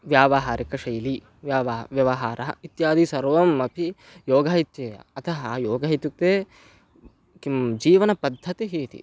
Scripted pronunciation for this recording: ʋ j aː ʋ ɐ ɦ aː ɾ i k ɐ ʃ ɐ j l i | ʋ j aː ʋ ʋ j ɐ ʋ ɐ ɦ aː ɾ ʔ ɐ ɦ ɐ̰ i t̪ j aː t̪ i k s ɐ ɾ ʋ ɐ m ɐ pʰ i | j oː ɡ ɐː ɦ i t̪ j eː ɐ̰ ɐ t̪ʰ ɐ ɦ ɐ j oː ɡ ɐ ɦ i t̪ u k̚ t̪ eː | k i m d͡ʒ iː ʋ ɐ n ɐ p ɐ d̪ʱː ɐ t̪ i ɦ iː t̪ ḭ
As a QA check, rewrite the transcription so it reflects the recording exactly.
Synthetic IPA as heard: ʋ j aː ʋ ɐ ɦ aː ɾ i k ɐ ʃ ɐ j l i | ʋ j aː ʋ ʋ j ɐ ʋ ɐ ɦ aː ɾ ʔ ɐ ɦ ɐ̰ i t̪ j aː d̪ i s ɐ ɾ ʋ ɐ m ɐ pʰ i | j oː ɡ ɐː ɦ i t̪ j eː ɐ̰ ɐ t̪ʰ ɐ ɦ ɐ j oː ɡ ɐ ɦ i t̪ u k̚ t̪ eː | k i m d͡ʒ iː ʋ ɐ n ɐ p ɐ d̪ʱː ɐ t̪ i ɦ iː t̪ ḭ